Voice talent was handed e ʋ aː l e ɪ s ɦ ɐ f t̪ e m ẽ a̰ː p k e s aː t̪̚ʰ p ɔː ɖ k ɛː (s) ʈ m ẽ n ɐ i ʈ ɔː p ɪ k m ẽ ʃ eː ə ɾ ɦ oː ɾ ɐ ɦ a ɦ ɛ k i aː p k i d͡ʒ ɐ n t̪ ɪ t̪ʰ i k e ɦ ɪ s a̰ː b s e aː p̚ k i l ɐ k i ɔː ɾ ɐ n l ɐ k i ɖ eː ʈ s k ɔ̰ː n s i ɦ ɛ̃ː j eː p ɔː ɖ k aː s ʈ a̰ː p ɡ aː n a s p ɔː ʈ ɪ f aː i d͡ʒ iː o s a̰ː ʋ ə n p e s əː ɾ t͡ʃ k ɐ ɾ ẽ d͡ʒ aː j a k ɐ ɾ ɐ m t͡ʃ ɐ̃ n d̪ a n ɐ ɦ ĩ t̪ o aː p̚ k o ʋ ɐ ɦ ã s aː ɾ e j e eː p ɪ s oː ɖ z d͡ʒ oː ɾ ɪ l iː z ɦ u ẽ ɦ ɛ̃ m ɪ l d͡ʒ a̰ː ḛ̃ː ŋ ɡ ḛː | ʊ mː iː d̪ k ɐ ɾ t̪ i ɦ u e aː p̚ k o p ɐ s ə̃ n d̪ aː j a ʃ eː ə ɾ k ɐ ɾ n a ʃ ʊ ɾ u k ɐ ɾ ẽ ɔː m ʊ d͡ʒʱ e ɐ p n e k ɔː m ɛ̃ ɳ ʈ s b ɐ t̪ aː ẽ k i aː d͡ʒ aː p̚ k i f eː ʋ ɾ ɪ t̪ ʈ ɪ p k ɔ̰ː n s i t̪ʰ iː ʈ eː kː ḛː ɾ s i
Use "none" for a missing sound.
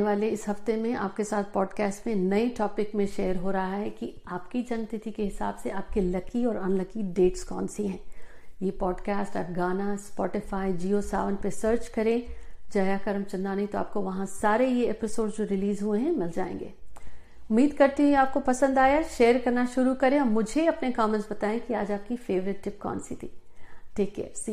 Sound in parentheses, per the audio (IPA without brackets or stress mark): s